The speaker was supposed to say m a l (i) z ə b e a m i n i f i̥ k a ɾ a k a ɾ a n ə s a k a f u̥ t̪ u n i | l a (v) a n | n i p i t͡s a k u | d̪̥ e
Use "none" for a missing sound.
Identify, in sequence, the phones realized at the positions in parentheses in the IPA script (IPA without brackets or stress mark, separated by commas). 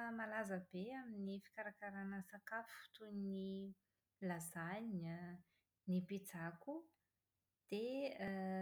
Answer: a, z